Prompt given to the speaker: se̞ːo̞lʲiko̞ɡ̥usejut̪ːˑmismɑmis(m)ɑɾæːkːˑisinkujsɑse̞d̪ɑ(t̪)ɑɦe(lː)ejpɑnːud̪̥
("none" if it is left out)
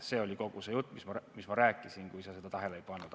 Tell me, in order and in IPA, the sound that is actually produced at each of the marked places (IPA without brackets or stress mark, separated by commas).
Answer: m, t̪, l